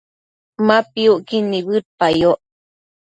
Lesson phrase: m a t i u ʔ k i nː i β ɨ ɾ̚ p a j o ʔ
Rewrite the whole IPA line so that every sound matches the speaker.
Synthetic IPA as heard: m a p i u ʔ k i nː i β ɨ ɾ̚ p a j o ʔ